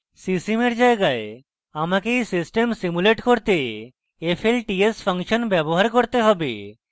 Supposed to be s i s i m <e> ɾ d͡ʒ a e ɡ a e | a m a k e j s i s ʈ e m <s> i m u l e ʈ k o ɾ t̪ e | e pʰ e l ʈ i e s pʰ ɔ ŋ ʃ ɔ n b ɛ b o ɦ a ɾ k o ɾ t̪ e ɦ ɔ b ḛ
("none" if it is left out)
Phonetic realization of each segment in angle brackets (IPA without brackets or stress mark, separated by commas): e, s